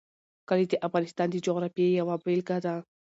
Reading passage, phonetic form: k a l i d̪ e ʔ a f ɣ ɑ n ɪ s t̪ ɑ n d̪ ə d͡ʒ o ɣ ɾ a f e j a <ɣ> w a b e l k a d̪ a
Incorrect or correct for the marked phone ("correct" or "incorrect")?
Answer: incorrect